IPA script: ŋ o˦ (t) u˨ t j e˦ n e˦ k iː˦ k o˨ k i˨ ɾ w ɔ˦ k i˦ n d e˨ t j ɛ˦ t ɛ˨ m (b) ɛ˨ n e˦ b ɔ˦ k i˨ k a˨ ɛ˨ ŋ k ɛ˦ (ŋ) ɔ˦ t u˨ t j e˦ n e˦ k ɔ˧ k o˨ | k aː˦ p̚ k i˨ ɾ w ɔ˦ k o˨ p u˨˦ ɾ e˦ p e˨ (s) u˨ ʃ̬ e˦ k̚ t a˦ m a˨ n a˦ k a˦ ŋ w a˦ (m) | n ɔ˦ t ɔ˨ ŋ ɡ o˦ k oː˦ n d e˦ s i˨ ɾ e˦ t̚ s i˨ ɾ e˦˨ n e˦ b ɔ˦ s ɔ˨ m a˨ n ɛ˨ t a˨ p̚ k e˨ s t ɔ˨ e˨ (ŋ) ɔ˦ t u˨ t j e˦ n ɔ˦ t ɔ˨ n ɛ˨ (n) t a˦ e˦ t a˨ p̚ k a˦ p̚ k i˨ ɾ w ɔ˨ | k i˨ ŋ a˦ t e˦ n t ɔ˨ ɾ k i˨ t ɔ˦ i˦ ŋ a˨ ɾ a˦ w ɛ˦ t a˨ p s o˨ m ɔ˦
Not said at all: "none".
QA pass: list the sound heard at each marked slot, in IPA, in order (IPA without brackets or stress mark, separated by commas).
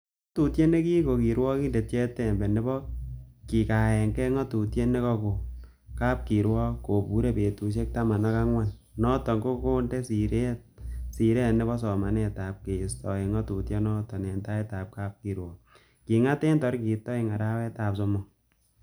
t, b, ŋ, t, n, ŋ, n